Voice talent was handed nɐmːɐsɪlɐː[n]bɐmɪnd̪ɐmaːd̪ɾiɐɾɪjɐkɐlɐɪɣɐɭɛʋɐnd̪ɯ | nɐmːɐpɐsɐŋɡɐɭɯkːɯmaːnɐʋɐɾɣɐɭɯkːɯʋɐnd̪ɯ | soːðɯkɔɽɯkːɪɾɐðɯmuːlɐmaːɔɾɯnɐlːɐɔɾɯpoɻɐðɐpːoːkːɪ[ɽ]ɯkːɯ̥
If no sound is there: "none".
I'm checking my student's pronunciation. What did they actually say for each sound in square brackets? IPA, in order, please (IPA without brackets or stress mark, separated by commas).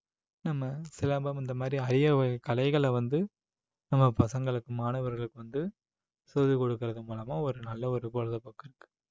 m, ɾ